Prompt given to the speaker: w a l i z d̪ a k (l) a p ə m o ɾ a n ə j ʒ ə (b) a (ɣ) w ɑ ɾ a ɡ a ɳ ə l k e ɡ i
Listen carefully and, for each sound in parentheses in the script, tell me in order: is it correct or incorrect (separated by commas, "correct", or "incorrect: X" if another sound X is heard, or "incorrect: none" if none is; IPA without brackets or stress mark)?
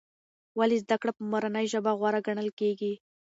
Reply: incorrect: ɽ, correct, correct